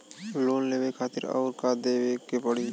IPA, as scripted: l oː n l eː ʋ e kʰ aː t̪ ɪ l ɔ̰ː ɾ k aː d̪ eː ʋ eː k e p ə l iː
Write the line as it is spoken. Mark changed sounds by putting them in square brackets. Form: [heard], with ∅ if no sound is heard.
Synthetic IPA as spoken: l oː n l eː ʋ e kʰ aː t̪ ɪ [ɾ] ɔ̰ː ɾ k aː d̪ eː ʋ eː k e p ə [ɽ] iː